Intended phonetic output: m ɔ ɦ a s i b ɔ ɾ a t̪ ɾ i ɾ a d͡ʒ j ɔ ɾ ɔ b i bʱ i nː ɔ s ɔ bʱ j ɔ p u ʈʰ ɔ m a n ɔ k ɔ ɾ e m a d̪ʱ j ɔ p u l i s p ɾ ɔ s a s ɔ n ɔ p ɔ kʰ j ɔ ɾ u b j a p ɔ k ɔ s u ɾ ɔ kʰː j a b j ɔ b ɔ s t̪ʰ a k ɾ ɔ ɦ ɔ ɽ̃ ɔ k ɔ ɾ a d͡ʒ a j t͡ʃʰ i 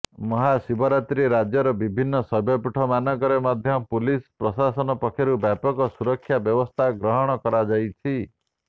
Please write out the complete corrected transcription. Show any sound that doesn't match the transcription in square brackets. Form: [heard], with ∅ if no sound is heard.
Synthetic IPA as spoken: m ɔ ɦ a s i b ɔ ɾ a t̪ ɾ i ɾ a d͡ʒ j ɔ ɾ ɔ b i bʱ i nː ɔ s ɔ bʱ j ɔ p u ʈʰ ɔ m a n ɔ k ɔ ɾ e m a d̪ʱ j ɔ p u l i s p ɾ ɔ s a s ɔ n ɔ p ɔ kʰ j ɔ ɾ u b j a p ɔ k ɔ s u ɾ ɔ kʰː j a b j ɔ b ɔ s t̪ʰ a [ɡ] ɾ ɔ ɦ ɔ ɽ̃ ɔ k ɔ ɾ a d͡ʒ a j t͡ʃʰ i